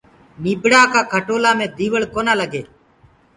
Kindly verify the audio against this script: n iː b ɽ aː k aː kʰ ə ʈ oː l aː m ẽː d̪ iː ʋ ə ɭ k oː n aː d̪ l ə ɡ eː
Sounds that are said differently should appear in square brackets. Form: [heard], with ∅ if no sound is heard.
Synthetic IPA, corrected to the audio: n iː b ɽ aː k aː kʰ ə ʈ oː l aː m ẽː d̪ iː ʋ ə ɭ k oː n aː [∅] l ə ɡ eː